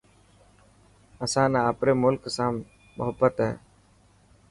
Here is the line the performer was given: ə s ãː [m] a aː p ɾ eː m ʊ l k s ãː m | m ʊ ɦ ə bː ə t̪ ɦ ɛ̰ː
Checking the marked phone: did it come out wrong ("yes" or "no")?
yes